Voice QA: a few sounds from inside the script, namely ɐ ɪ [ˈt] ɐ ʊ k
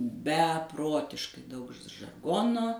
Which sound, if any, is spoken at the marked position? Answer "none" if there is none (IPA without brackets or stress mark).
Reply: d